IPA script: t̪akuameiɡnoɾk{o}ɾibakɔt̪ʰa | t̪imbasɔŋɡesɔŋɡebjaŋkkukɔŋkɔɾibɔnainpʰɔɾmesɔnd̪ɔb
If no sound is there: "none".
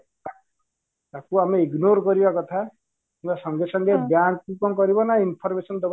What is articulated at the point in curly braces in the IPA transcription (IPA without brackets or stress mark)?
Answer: ɔ